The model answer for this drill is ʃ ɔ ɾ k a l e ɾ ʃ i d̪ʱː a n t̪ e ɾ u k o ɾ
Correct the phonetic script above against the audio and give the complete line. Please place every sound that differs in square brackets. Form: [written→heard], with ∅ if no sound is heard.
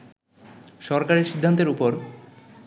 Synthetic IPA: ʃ ɔ ɾ k a [l→ɾ] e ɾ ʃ i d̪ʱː a n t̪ e ɾ u [k→p] o ɾ

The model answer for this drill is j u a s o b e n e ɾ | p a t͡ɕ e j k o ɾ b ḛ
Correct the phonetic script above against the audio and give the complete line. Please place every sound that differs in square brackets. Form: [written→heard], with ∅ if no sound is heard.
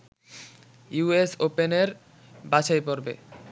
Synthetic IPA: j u [a→e] s o [b→p] e n e ɾ | [p→b] a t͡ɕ [e→a] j [k→p] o ɾ b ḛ

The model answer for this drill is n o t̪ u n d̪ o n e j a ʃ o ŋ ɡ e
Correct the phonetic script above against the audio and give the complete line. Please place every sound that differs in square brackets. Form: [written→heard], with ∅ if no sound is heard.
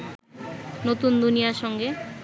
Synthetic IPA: n o t̪ u n d̪ [o→u] n [e→i] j a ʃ [o→ɔ] ŋ ɡ e

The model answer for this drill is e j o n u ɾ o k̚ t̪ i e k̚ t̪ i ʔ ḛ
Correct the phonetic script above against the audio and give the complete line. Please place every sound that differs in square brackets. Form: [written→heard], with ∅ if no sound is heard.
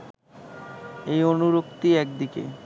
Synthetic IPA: e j o n u ɾ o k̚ t̪ i [e→ɛ] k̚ [t̪→d̪] i [ʔ→k] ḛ

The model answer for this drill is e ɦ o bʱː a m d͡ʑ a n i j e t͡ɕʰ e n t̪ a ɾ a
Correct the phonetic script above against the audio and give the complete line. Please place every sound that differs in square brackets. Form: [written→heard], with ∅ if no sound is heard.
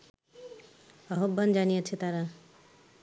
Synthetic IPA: [e→a] ɦ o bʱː a [m→n] d͡ʑ a n i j e t͡ɕʰ e [n→∅] t̪ a ɾ a

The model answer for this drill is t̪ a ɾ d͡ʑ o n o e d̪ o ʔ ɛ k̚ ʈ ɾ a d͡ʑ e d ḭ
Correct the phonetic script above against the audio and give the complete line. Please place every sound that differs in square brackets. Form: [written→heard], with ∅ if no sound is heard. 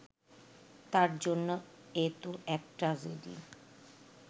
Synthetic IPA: t̪ a ɾ d͡ʑ o [n→nː] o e [d̪→t̪] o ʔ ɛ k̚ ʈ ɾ a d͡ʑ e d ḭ

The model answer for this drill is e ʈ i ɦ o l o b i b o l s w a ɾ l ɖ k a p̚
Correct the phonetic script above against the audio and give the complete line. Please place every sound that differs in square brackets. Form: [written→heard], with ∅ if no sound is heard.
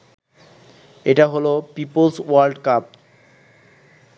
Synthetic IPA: e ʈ [i→a] ɦ o l o [b→p] i [b→p] o l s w a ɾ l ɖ k a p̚

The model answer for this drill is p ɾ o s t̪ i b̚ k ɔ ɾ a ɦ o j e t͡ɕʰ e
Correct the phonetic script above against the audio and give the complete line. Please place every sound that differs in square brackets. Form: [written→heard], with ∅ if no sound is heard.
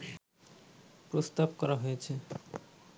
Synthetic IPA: p ɾ o s t̪ [i→a] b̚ k ɔ ɾ a ɦ o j e t͡ɕʰ e

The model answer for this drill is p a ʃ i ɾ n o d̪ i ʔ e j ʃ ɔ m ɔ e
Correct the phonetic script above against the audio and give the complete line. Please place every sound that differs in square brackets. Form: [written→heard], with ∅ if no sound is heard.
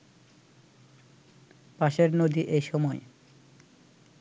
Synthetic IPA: p a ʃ [i→e] ɾ n o d̪ i ʔ e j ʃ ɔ m ɔ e

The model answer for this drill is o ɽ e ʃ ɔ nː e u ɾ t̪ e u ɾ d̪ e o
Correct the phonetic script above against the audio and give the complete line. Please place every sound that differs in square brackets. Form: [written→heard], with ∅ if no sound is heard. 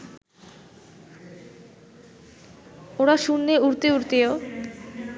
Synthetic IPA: o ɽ [e→a] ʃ [ɔ→u] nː e u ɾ t̪ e u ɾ [d̪→t̪] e o

